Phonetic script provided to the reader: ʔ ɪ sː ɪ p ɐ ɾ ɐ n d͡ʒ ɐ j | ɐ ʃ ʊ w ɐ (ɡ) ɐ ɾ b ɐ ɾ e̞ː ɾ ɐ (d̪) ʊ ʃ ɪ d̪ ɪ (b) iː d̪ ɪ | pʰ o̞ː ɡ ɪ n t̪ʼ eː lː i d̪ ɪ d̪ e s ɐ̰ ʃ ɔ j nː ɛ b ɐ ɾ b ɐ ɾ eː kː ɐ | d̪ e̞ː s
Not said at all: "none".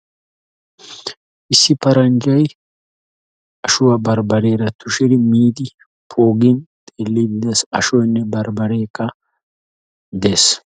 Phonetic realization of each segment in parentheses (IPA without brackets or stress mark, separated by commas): b, t̪, m